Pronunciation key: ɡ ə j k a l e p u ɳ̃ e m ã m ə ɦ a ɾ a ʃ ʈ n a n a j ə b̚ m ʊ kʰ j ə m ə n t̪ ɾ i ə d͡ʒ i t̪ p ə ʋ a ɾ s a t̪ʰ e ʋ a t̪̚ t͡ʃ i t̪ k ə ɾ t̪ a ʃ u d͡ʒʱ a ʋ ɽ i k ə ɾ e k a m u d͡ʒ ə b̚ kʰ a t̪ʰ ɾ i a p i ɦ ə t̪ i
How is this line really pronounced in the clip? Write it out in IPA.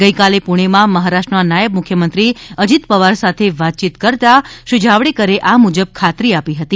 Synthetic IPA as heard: ɡ ə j k a l e p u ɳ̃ e m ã m ə ɦ a ɾ a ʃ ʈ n a n a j ə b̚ m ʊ kʰ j ə m ə n t̪ ɾ i ə d͡ʒ i t̪ p ə ʋ a ɾ s a t̪ʰ e ʋ a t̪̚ t͡ʃ i t̪ k ə ɾ t̪ a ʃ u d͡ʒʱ a ʋ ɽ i k ə ɾ e ʔ a m u d͡ʒ ə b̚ kʰ a t̪ ɾ i a p i ɦ ə t̪ i